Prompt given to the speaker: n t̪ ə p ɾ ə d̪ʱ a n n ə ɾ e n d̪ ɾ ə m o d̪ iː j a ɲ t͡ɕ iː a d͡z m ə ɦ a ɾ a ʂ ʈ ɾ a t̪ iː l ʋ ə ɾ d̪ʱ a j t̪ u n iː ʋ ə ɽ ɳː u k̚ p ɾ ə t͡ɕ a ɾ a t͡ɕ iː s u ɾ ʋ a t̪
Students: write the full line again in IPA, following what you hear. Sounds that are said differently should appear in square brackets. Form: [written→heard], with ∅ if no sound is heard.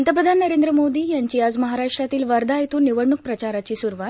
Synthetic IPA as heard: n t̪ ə p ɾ ə d̪ʱ a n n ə ɾ e n d̪ ɾ ə m o d̪ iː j a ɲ t͡ɕ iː a d͡z m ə ɦ a ɾ a ʂ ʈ ɾ a t̪ iː l ʋ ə ɾ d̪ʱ a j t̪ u n [iː→i] ʋ ə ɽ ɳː u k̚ p ɾ ə t͡ɕ a ɾ a t͡ɕ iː s u ɾ ʋ a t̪